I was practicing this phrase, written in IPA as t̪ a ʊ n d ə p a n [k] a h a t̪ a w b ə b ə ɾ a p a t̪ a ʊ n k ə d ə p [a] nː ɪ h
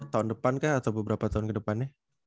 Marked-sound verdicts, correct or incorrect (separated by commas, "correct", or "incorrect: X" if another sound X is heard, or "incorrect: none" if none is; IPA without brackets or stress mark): correct, correct